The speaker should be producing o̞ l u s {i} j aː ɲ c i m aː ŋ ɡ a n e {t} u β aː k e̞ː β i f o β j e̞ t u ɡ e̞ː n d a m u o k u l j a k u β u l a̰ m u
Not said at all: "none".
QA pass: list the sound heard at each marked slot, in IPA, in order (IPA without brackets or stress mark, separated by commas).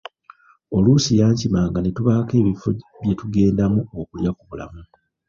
i, t